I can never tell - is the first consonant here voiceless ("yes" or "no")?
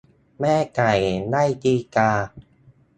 no